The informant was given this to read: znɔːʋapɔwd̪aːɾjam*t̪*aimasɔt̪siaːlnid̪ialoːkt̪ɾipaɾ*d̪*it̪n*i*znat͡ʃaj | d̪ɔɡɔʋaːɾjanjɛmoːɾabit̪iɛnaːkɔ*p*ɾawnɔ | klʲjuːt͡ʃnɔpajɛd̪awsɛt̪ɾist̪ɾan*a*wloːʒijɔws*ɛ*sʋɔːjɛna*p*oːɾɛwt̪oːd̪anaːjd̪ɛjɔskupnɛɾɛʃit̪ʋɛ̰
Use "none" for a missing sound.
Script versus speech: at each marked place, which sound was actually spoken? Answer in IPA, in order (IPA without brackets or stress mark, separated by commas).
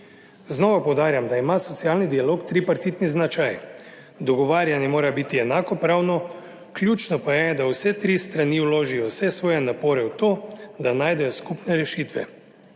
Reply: d̪, t̪, i, p, i, ɛ, p